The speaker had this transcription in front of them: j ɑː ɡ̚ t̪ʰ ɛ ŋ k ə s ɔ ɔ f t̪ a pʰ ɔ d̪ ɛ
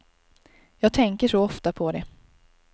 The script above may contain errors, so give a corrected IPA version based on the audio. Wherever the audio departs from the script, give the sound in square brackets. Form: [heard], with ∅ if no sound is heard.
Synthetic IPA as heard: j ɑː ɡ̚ t̪ʰ ɛ ŋ k ə [ʂ] ɔ ɔ f t̪ a pʰ ɔ d̪ ɛ